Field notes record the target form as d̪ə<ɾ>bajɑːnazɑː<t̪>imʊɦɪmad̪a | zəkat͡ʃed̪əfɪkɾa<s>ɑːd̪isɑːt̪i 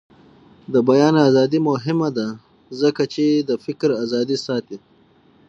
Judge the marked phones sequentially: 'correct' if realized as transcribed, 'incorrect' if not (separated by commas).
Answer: incorrect, incorrect, incorrect